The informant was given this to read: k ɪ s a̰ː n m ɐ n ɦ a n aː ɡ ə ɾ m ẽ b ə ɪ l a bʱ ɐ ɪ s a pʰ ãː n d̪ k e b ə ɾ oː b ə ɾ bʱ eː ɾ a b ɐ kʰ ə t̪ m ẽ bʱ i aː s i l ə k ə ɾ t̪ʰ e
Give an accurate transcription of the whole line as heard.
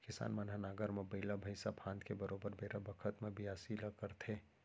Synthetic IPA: k ɪ s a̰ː n m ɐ n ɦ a n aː ɡ ə ɾ m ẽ b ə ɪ l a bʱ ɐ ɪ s a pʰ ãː n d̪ k e b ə ɾ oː b ə ɾ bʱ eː ɾ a b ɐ kʰ ə t̪ m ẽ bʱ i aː s i l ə k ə ɾ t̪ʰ e